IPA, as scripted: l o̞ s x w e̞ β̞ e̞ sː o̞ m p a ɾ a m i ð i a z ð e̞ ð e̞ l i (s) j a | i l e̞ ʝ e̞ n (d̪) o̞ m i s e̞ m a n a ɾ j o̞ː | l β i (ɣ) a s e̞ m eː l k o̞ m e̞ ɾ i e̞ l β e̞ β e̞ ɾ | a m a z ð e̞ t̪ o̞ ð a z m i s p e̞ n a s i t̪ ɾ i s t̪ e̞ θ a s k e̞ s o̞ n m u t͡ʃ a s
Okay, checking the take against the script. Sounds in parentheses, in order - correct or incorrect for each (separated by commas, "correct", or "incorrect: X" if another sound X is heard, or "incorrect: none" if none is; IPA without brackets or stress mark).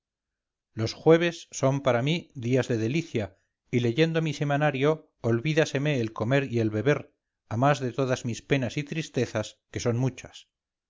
incorrect: θ, correct, incorrect: ð